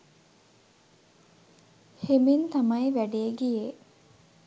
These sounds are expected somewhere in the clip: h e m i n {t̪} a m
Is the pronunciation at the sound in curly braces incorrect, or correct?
correct